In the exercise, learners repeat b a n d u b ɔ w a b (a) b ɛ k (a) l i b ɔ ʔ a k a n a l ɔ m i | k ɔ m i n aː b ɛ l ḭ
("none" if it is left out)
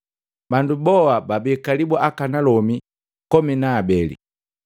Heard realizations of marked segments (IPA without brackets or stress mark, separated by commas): a, a